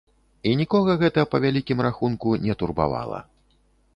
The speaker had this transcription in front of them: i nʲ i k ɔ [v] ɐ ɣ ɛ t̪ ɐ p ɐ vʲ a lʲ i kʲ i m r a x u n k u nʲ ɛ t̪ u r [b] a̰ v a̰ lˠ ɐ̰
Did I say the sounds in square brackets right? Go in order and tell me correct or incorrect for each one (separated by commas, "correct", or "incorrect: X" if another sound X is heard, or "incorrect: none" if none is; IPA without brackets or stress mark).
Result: incorrect: ɣ, correct